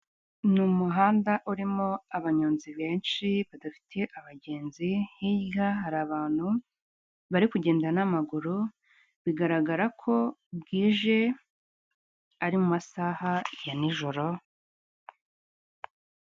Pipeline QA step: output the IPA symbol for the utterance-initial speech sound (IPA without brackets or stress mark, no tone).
n